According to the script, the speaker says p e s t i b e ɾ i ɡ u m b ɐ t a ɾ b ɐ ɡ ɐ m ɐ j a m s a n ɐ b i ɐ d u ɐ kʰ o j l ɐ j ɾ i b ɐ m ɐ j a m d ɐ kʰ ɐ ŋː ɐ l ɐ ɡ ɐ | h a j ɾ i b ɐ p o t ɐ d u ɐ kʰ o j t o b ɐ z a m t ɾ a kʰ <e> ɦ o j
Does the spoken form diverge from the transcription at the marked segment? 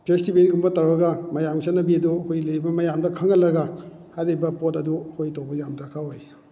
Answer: yes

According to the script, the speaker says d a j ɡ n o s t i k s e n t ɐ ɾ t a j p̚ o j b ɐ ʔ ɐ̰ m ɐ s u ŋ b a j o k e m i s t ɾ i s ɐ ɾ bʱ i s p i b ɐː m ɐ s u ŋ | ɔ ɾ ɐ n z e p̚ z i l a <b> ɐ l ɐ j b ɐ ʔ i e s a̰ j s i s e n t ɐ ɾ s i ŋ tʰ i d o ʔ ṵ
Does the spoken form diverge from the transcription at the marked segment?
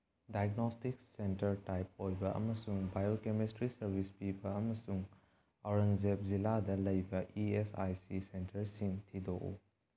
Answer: yes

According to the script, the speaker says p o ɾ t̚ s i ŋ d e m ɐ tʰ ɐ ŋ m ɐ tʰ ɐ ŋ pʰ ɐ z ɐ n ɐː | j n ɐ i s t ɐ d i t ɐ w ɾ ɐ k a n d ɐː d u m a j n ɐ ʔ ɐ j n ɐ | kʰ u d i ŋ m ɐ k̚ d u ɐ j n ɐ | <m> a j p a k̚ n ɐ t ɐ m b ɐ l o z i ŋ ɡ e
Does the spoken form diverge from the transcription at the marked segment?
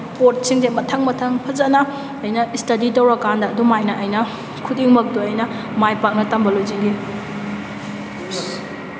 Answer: no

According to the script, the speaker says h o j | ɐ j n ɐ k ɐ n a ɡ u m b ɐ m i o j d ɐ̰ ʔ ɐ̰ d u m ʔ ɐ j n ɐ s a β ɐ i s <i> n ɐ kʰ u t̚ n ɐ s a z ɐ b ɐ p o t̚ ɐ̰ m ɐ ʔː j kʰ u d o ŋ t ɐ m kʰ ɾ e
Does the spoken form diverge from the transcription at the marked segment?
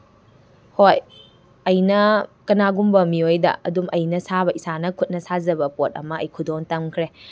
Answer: yes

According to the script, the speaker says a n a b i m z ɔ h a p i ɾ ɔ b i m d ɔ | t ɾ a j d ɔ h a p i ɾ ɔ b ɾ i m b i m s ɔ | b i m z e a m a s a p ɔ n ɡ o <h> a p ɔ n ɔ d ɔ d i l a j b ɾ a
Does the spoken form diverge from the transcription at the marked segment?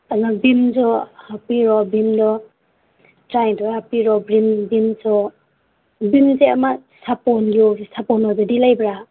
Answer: yes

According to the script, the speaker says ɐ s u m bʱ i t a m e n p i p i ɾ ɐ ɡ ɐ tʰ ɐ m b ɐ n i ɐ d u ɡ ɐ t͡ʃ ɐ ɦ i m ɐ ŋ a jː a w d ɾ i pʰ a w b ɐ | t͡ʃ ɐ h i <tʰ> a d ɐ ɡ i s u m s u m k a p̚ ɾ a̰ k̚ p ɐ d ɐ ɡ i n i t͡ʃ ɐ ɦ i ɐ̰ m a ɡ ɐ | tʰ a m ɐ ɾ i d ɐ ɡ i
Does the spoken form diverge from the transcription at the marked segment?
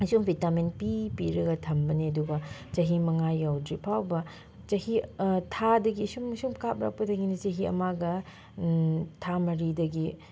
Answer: no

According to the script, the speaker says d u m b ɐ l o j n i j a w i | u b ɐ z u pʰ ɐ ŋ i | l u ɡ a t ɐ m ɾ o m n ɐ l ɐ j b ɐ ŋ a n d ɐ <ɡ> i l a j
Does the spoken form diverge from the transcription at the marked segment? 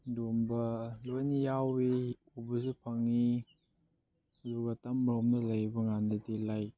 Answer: yes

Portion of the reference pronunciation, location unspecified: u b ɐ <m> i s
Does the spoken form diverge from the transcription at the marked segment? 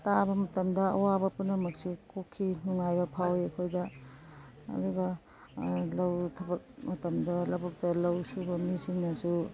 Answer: no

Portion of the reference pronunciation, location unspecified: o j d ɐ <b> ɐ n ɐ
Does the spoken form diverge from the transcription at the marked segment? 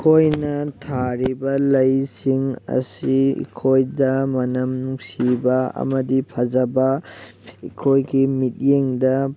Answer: yes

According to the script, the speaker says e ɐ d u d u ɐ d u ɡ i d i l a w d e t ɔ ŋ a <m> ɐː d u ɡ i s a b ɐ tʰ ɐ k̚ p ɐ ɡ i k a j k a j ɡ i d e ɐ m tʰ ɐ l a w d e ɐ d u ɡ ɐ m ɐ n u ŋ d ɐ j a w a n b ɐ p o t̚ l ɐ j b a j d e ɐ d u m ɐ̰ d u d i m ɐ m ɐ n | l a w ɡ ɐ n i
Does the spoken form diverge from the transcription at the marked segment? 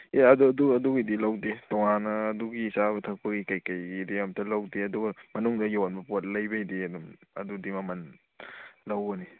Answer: yes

